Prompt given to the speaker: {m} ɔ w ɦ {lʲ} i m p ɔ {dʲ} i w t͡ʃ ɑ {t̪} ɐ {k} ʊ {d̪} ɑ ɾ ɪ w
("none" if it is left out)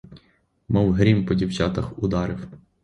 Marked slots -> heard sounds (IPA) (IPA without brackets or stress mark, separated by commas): m, ɾʲ, dʲ, t̪, x, d̪